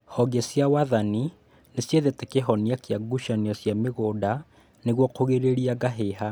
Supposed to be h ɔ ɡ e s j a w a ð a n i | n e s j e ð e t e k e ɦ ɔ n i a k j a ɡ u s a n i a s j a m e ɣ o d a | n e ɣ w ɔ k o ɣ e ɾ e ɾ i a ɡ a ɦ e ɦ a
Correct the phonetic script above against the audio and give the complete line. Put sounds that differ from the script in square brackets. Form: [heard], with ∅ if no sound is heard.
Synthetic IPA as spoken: h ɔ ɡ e s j a w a ð a n i | n e s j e ð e t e k e ɦ ɔ n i a k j a ɡ u [ʃ] a n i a s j a m e ɣ o d a | n e ɣ w ɔ k o ɣ e ɾ e ɾ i a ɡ a ɦ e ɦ a